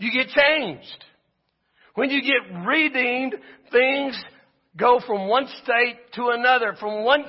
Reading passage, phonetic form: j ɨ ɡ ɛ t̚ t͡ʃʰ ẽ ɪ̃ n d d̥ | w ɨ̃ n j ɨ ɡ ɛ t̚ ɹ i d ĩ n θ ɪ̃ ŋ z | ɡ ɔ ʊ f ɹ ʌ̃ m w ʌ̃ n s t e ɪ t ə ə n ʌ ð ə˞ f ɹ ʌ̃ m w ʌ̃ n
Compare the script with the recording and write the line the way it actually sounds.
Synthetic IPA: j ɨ ɡ ɛ t̚ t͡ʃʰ ẽ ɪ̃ n d͡ʒ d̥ | w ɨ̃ n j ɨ ɡ ɛ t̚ ɹ i d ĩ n θ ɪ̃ ŋ z | ɡ o ʊ f ɹ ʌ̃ m w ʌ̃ n s t e ɪ tʰ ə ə n ʌ ð ə˞ f ɹ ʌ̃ m w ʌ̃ n